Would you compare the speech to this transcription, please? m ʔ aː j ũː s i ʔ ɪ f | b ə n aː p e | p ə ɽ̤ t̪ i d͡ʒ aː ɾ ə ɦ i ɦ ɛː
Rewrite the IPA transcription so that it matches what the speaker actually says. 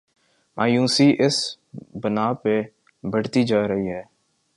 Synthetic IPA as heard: m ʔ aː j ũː s i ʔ ɪ s | b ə n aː p e | b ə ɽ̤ t̪ i d͡ʒ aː ɾ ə ɦ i ɦ ɛː